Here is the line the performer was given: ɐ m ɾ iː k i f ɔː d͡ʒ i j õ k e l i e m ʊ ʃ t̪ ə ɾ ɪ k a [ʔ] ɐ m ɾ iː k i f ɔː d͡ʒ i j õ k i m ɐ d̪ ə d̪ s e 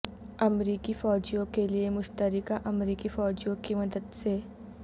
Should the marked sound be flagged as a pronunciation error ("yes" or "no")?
no